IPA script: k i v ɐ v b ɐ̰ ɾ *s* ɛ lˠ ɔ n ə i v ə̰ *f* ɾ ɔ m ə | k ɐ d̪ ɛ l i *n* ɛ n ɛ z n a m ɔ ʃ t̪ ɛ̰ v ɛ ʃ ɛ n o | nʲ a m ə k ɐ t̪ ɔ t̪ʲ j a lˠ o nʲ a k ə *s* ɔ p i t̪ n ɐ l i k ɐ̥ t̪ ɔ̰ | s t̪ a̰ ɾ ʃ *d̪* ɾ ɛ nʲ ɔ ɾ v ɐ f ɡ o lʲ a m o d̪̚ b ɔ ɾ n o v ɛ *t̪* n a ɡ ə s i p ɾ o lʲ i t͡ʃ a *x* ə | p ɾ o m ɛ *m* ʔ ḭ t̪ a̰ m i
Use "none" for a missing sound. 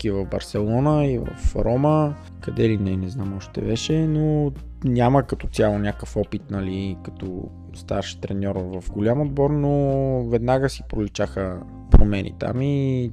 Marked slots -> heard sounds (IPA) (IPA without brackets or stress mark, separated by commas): s, f, n, f, t̪, d̪, x, n